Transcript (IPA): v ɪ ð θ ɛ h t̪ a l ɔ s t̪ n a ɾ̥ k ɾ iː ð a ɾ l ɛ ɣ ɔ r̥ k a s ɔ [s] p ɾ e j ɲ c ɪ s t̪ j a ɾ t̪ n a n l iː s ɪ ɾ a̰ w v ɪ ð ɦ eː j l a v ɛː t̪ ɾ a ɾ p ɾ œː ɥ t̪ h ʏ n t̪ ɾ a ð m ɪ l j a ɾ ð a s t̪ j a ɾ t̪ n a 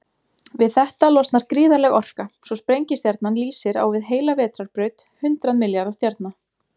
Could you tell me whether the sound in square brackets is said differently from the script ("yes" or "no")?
no